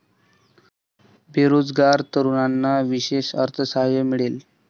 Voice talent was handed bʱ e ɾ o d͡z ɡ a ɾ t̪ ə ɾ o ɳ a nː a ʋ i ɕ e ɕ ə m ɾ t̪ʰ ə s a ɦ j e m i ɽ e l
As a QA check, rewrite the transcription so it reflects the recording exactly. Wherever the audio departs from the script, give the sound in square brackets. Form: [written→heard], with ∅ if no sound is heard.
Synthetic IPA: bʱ e ɾ o d͡z ɡ a ɾ t̪ ə ɾ [o→u] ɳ a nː a ʋ i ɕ e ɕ ə [m→∅] ɾ t̪ʰ ə s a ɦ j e m i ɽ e l